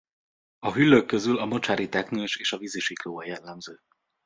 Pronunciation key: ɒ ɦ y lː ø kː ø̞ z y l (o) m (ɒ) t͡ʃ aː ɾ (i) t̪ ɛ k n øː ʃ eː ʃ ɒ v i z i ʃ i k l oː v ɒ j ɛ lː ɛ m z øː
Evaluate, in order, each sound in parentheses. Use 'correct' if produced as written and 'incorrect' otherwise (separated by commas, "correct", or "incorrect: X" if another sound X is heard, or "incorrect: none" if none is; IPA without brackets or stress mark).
incorrect: ɒ, incorrect: o, correct